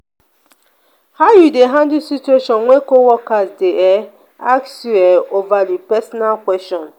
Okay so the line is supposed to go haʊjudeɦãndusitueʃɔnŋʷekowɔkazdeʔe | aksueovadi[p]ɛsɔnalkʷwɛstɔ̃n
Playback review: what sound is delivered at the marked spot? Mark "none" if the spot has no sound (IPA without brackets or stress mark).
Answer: p